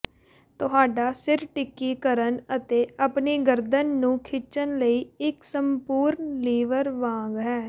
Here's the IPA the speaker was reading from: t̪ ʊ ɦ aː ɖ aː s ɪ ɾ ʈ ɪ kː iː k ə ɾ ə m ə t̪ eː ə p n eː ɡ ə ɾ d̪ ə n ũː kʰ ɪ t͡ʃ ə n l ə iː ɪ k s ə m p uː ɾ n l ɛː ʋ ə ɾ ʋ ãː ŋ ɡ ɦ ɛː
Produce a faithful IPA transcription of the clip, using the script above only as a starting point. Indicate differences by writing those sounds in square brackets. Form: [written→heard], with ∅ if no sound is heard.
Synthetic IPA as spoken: t̪ ʊ ɦ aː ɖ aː s ɪ ɾ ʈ ɪ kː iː k ə ɾ ə [m→n] ə t̪ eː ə p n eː ɡ ə ɾ d̪ ə [n→nː] ũː kʰ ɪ t͡ʃ ə n l ə iː ɪ k s ə m p uː ɾ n l [ɛː→iː] ʋ ə ɾ ʋ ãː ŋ ɡ ɦ ɛː

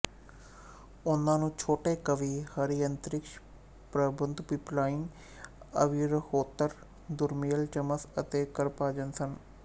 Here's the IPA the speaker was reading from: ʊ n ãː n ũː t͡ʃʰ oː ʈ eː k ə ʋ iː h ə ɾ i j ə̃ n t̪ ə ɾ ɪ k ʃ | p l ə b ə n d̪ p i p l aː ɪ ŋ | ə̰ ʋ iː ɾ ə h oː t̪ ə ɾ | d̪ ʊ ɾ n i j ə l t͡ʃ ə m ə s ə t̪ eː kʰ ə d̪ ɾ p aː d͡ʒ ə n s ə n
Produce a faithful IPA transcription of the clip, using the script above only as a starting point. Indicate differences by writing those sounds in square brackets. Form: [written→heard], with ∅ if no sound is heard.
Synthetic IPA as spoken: ʊ n ãː n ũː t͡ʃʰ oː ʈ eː k ə ʋ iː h ə ɾ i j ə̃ n t̪ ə ɾ ɪ k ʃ | p [l→ɾ] ə b ə n d̪ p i p l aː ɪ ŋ | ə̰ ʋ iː ɾ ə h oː t̪ ə ɾ | d̪ ʊ ɾ [n→m] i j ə l t͡ʃ ə m ə s ə t̪ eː [kʰ→k] ə [d̪→∅] ɾ p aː d͡ʒ ə n s ə n

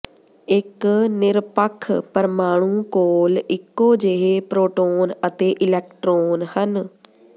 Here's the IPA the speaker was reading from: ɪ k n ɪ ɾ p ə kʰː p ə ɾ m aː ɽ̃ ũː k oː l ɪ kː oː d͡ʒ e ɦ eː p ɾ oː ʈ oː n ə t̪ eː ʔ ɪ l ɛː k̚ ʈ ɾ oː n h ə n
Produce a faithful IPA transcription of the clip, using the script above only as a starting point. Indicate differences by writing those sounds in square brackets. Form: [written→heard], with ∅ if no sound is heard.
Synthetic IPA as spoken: ɪ k n ɪ ɾ p ə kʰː p ə ɾ m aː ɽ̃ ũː k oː l ɪ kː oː d͡ʒ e ɦ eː p ɾ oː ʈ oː n ə t̪ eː ʔ ɪ l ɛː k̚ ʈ ɾ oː n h ə n

